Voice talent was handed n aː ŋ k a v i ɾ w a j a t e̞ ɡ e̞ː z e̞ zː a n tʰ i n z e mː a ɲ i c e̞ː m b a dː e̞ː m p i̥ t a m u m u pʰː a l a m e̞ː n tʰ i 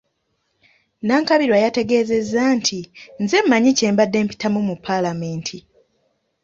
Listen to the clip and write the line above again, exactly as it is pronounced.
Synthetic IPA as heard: n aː ŋ k a β i ɾ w a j a t e̞ ɡ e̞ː z e̞ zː a n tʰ i n z e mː a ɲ i c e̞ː m b a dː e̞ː m p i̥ t a m u m u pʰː a l a m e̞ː n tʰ i